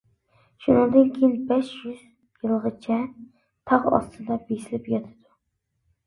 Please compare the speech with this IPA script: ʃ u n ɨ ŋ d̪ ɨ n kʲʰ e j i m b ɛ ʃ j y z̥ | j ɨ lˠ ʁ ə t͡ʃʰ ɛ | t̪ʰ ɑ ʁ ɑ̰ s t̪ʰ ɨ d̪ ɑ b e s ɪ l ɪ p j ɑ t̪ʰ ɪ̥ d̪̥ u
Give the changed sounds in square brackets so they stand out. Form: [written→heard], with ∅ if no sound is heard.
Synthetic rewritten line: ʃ u n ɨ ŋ d̪ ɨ n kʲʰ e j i [m→n] b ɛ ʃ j y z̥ | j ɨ lˠ ʁ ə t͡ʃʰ ɛ | t̪ʰ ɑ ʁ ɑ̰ s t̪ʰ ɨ d̪ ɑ b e s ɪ l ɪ p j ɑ t̪ʰ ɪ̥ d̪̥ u